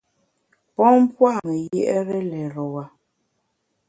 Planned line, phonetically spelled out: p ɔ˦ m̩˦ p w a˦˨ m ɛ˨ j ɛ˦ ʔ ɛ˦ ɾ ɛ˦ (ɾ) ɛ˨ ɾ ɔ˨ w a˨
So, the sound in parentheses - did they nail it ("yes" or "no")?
no